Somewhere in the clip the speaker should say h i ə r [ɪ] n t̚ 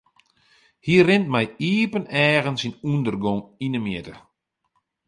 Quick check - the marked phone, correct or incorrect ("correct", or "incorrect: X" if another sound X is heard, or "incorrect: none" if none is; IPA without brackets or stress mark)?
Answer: correct